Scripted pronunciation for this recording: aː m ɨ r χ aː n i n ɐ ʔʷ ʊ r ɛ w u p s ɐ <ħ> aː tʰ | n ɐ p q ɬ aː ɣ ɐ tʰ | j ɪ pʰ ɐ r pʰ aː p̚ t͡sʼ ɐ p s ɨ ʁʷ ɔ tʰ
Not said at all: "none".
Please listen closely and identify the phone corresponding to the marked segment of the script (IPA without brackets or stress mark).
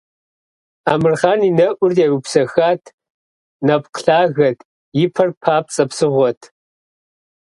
x